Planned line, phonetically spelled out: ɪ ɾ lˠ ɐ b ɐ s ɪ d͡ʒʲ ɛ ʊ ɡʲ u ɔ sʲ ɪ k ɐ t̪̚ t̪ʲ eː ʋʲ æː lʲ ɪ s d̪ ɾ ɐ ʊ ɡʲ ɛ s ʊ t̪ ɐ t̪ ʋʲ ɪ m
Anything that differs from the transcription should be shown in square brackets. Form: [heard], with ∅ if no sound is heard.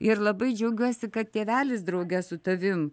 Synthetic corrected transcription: ɪ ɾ lˠ ɐ b ɐ [∅] ɪ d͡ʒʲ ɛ ʊ ɡʲ u ɔ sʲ ɪ k ɐ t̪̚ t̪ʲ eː ʋʲ æː lʲ ɪ s d̪ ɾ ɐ ʊ ɡʲ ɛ s ʊ t̪ ɐ [∅] ʋʲ ɪ m